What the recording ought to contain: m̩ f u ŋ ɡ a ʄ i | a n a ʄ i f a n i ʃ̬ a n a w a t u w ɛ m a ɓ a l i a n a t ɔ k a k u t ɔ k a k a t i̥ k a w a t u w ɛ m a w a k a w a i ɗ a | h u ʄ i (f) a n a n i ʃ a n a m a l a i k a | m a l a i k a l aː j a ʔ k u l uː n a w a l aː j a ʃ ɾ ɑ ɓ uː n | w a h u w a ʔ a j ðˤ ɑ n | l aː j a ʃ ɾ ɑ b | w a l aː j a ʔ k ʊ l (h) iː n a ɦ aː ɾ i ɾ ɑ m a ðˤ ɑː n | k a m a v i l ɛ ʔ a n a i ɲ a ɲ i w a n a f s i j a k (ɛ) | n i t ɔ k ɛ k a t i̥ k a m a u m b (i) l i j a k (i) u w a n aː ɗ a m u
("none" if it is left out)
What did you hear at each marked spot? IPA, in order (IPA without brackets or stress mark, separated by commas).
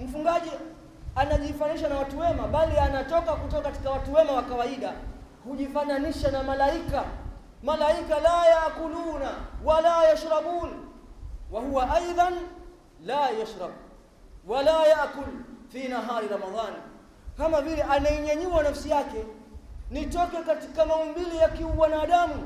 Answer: f, f, ɛ, i, i